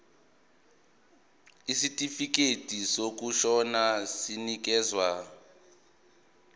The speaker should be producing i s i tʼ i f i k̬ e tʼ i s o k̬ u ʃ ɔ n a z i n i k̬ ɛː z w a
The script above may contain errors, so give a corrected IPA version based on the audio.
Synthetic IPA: i s i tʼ i f i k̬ e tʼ i s o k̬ u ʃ ɔ n a s i n i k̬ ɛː z w a